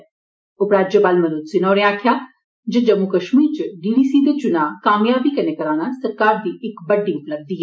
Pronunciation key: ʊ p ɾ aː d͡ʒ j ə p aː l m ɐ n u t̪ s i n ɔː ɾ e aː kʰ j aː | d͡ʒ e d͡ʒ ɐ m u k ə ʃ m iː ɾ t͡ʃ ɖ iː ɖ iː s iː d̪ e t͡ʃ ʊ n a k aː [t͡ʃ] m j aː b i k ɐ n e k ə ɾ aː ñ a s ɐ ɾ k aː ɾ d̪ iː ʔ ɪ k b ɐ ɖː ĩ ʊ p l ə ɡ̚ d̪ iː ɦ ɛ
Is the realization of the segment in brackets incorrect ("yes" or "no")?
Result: yes